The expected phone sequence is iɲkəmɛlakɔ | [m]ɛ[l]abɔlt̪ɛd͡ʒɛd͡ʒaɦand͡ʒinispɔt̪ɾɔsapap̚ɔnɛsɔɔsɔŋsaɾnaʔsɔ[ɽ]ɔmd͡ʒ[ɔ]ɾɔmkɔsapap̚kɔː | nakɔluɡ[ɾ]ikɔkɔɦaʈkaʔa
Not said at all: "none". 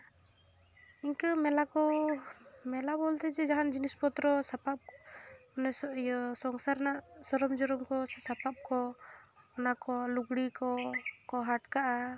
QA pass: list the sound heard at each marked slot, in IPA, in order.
m, l, ɾ, ɔ, ɽ

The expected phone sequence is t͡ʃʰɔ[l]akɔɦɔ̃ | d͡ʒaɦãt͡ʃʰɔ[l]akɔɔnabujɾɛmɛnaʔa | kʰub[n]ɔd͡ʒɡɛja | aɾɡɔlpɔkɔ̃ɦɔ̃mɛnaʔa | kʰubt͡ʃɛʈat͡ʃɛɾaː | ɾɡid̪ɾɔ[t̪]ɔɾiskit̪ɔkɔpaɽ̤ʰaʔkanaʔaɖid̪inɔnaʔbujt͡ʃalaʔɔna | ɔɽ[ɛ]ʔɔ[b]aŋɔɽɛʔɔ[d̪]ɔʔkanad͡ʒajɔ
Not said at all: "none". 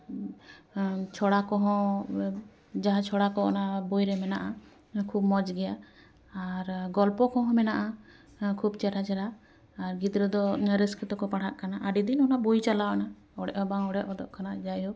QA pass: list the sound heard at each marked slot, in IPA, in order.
ɽ, ɽ, m, d̪, ɛ, b, d̪

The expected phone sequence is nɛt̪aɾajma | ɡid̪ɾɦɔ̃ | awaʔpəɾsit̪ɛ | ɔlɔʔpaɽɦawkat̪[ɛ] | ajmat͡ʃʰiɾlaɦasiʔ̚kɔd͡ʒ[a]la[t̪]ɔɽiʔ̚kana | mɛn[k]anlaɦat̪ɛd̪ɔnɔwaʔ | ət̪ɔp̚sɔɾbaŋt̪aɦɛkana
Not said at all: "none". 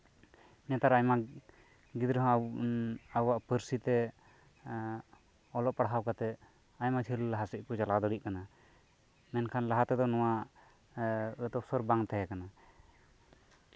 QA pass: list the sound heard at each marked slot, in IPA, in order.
ɛ, a, d̪, kʰ

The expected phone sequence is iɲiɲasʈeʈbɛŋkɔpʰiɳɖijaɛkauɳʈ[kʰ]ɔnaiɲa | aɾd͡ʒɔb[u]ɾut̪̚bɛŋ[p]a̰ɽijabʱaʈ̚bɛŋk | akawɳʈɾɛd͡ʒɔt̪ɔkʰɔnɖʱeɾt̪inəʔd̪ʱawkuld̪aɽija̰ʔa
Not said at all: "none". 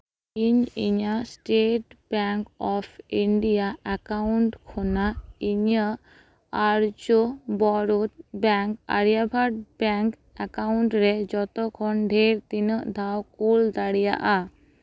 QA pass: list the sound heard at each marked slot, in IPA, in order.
kʰ, ɔ, k

